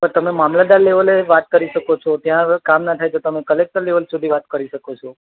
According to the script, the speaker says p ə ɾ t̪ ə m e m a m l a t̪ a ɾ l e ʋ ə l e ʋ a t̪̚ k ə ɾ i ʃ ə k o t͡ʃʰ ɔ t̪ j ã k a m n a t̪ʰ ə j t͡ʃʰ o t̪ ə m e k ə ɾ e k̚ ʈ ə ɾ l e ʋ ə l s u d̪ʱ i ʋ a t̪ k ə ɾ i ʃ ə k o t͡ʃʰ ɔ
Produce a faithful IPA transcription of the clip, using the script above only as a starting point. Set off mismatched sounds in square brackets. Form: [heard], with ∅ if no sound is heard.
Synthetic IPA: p ə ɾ t̪ ə m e m a m l a [d̪] a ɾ l e ʋ ə l e ʋ a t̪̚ k ə ɾ i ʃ ə k o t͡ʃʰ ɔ t̪ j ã k a m n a t̪ʰ [a] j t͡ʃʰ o t̪ ə m e k ə [l] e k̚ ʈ ə ɾ l e ʋ ə l s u d̪ʱ i ʋ a t̪ k ə ɾ i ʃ ə k o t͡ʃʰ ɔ